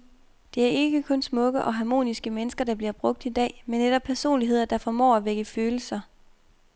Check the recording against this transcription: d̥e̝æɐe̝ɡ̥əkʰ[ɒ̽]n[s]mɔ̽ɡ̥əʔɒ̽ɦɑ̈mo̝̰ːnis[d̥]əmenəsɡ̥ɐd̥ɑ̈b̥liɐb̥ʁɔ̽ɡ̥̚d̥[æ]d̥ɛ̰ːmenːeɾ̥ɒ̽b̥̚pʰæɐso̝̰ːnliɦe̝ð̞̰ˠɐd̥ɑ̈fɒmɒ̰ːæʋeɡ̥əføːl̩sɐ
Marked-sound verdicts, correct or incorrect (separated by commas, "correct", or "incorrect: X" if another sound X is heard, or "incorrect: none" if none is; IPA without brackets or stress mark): incorrect: ɔ̽, correct, incorrect: ɡ̥, incorrect: i